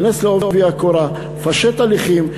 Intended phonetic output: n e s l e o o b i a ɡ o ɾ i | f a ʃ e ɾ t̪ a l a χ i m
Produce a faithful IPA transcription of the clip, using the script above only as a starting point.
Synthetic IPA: n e s l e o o v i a k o ɾ a | f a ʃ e t̪ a l i χ i m